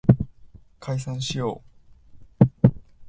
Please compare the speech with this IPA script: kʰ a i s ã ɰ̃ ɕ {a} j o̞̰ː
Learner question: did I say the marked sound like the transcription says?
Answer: no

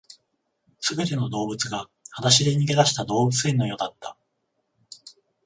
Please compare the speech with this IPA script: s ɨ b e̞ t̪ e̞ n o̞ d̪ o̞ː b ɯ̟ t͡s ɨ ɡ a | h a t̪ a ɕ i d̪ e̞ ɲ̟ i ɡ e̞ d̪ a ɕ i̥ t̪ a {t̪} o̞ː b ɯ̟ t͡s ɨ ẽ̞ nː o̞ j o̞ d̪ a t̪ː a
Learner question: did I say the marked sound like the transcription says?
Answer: no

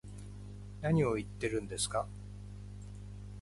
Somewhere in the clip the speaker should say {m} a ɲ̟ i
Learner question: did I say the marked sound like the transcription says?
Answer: no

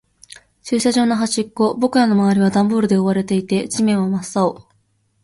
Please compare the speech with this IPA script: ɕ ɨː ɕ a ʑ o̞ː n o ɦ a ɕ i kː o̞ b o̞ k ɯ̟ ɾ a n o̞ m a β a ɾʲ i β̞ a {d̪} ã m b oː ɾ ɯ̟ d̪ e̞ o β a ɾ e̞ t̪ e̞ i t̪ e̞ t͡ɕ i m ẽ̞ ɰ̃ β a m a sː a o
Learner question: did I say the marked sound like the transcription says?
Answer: yes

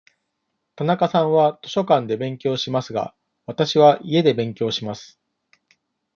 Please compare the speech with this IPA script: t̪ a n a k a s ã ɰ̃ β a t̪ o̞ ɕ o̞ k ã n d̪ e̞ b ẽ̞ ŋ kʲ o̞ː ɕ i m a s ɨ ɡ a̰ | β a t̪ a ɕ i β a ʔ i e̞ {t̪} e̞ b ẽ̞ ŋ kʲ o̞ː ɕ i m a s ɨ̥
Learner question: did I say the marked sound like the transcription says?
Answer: no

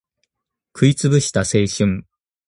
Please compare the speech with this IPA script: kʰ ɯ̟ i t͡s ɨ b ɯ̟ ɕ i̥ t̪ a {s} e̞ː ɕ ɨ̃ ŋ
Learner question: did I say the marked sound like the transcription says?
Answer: yes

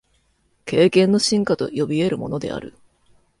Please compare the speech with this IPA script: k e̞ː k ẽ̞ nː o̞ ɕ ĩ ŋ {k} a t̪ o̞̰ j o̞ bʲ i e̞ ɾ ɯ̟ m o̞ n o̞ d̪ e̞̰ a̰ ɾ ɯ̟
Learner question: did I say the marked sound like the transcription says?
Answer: yes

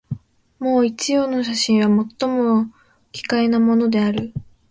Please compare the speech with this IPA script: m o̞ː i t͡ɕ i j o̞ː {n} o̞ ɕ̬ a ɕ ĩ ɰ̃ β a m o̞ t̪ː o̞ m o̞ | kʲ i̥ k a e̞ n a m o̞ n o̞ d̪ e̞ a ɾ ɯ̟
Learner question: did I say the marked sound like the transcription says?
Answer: yes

